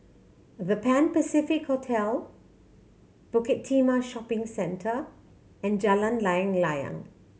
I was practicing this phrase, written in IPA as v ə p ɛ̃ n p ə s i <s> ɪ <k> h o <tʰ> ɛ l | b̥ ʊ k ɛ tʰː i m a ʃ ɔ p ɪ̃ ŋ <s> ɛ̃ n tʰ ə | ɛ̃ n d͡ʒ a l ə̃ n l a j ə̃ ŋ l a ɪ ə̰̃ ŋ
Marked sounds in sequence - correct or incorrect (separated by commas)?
incorrect, correct, correct, correct